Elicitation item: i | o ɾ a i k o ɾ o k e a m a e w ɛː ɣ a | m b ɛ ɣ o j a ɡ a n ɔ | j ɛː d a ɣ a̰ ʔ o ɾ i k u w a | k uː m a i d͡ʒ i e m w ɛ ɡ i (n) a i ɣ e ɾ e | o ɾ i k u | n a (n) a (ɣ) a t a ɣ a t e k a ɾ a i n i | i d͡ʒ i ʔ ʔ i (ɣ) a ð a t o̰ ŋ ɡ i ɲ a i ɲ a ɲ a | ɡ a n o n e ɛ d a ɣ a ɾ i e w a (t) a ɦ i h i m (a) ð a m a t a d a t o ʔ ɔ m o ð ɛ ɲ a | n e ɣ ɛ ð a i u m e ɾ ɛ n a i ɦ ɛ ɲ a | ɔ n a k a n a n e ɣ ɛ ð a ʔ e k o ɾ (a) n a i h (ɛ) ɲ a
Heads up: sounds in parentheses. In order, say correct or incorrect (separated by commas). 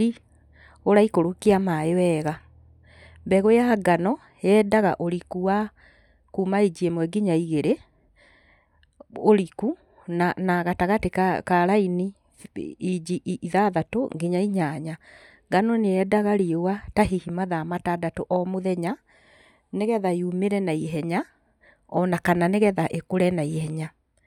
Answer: incorrect, correct, correct, incorrect, correct, correct, incorrect, correct